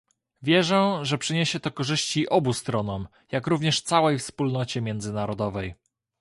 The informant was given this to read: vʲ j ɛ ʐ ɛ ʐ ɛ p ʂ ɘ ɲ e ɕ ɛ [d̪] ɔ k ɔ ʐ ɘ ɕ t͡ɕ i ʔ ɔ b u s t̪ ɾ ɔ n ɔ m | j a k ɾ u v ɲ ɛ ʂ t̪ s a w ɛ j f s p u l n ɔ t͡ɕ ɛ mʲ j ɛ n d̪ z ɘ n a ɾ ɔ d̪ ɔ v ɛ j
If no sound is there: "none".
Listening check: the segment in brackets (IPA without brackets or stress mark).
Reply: t̪